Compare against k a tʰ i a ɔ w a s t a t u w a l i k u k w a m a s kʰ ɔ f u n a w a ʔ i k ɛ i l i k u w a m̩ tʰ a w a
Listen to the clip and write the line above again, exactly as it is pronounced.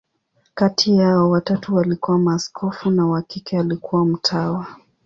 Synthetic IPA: k a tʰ i a ɔ w a t a t u w a l i k u w a m a s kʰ ɔ f u n a w a k i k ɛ a l i k u w a m̩ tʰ a w a